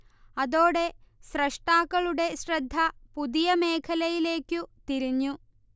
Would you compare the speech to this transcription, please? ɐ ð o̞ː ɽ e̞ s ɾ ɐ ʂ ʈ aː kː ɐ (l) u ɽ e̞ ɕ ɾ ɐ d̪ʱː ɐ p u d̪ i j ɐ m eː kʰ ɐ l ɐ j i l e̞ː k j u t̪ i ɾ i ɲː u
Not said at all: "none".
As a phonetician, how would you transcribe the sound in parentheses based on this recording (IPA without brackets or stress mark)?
ɭ